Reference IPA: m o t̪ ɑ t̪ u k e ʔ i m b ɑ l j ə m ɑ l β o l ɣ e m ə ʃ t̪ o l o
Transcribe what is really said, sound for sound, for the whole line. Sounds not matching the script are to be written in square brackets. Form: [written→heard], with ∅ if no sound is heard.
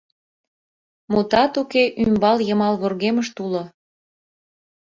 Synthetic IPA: m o t̪ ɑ t̪ u k e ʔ [i→y] m b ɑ l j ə m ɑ l β o [l→r] ɣ e m ə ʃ t̪ [o→u] l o